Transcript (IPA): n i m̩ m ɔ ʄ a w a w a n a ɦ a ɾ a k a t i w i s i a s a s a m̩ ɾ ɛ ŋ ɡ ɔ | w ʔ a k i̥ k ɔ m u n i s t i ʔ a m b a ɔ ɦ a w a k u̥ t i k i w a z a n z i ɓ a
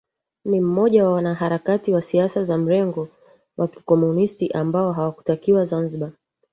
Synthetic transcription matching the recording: n i m̩ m ɔ ʄ a w a w a n a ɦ a ɾ a k a t i w a s i a s a z a m̩ ɾ ɛ ŋ ɡ ɔ | w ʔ a k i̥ k ɔ m u n i s t i ʔ a m b a ɔ ɦ a w a k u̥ t a k i w a z a n z i ɓ a

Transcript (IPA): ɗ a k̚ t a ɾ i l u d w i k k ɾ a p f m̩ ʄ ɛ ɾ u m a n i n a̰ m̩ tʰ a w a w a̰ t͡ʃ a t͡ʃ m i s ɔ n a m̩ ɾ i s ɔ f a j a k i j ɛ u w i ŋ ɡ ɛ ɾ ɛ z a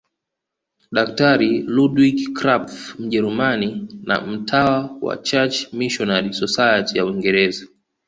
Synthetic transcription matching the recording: ɗ a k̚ t a ɾ i l u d w i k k ɾ a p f m̩ ʄ ɛ ɾ u m a n i n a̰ m̩ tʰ a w a w a̰ t͡ʃ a t͡ʃ m i ʃ ɔ n a ɾ i s ɔ s a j a t i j a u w i ŋ ɡ ɛ ɾ ɛ z a

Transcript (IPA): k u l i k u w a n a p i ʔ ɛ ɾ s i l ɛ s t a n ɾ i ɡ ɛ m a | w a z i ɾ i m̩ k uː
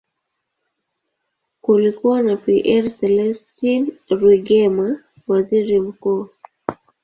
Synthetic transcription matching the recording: k u l i k u w a n a p i ʔ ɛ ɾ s ɛ l ɛ s t i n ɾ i ɡ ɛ m a | w a z i ɾ i m̩ k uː

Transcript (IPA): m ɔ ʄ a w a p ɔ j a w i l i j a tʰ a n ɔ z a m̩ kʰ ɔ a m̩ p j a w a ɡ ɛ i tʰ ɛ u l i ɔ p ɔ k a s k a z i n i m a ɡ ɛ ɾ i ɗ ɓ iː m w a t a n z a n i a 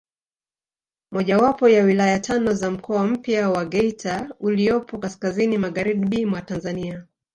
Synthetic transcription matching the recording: m ɔ ʄ a w a p ɔ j a w i l a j a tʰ a n ɔ z a m̩ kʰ ɔ a m̩ p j a w a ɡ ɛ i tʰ a u l i ɔ p ɔ k a s k a z i n i m a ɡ a ɾ i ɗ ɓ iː m w a t a n z a n i a

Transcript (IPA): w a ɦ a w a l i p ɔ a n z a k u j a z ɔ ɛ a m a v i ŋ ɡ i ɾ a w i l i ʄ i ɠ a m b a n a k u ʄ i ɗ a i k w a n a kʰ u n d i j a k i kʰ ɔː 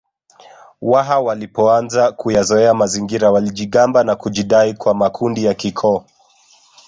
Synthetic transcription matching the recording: w a ɦ a w a l i p ɔ a n z a k u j a z ɔ ɛ a m a z i ŋ ɡ i ɾ a w a l i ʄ i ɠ a m b a n a k u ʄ i ɗ a i k w a m a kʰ u n d i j a k i kʰ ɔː

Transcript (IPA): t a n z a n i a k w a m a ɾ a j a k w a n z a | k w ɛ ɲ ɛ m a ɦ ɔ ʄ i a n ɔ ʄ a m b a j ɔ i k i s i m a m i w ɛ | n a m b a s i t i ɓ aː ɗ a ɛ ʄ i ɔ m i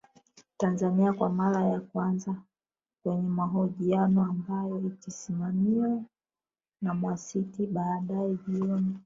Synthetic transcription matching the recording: t a n z a n i a k w a m a ɾ a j a k w a n z a | k w ɛ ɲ ɛ m a ɦ ɔ ʄ i a n ɔ a m b a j ɔ i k i s i m a m i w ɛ | n a m w a s i t i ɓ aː ɗ a ɛ ʄ i ɔ n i

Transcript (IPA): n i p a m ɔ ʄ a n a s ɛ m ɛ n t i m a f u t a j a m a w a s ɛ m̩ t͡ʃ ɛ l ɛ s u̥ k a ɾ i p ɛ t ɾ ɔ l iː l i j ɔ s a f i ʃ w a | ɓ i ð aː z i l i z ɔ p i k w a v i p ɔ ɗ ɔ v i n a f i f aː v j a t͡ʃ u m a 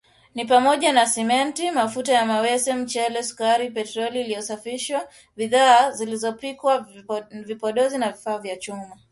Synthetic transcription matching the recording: n i p a m ɔ ʄ a n a s ɛ m ɛ n t i m a f u t a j a m a w ɛ s ɛ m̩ t͡ʃ ɛ l ɛ s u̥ k a ɾ i p ɛ t ɾ ɔ l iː l i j ɔ s a f i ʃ w a | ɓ i ð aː z i l i z ɔ p i k w a v i p ɔ ɗ ɔ z i n a v i f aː v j a t͡ʃ u m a

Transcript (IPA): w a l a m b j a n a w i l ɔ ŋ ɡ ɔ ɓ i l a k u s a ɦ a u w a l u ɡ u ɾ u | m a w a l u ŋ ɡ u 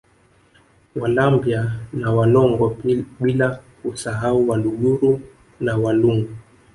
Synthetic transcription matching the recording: w a l a m b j a n a w a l ɔ ŋ ɡ ɔ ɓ i l a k u s a ɦ a u w a l u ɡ u ɾ u | n a w a l u ŋ ɡ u

